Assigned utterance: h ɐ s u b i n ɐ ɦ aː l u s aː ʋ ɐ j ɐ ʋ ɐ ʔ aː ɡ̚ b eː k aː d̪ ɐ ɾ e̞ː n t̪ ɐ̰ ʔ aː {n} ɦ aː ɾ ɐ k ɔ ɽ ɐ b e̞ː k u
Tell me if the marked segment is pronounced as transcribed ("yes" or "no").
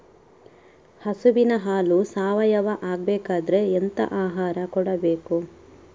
no